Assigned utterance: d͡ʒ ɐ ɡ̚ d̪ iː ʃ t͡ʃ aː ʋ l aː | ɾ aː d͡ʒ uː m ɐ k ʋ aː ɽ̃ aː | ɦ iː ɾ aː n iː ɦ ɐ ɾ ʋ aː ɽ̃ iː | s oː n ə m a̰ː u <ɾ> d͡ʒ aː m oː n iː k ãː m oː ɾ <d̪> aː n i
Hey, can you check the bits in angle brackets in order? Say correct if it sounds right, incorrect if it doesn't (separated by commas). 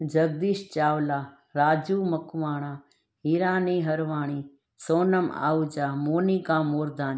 incorrect, correct